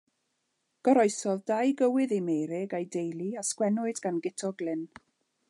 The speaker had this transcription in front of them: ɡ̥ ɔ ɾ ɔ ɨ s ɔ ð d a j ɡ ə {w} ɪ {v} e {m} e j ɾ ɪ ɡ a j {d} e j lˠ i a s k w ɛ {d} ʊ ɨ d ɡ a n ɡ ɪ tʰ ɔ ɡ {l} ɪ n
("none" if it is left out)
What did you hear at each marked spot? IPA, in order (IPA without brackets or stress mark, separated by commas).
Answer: w, ð, m, d, n, l